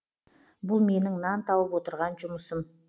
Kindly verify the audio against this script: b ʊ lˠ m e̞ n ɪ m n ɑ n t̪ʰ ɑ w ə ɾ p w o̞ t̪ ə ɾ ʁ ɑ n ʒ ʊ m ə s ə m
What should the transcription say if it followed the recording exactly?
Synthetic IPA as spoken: b ʊ lˠ m e̞ n ɪ ŋ n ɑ n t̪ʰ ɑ w ə p w o̞ t̪ ə ɾ ʁ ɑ n ʒ ʊ m ə s ə m